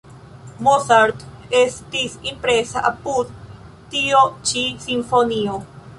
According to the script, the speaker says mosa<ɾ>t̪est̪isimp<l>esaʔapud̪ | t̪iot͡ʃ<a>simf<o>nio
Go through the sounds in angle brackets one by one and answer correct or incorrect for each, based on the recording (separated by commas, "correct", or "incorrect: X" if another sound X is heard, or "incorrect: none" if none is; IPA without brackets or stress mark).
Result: correct, incorrect: ɾ, incorrect: i, correct